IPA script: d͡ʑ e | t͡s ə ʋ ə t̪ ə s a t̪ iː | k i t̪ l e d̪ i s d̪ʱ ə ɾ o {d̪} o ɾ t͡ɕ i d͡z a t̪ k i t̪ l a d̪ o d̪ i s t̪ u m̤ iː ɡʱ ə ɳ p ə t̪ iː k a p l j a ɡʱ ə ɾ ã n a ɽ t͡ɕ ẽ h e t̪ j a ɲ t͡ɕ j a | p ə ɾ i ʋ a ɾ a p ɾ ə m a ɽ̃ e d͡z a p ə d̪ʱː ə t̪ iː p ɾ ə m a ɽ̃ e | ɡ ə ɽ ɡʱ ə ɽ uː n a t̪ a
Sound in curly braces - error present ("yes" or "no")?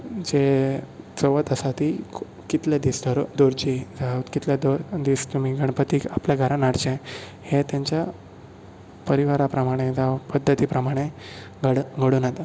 no